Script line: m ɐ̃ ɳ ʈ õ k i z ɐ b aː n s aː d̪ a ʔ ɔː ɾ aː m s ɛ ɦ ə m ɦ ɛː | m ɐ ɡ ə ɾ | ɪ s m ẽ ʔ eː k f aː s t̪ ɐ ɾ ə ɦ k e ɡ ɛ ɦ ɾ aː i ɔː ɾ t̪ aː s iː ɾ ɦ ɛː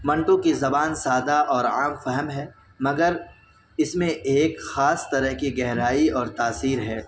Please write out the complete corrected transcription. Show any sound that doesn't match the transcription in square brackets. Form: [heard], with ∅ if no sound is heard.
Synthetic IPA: m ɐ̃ ɳ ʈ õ k i z ɐ b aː n s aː d̪ a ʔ ɔː ɾ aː m [f] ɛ ɦ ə m ɦ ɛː | m ɐ ɡ ə ɾ | ɪ s m ẽ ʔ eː k [x] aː s t̪ ɐ ɾ ə ɦ k [i] ɡ ɛ ɦ ɾ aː i ɔː ɾ t̪ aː s iː ɾ ɦ ɛː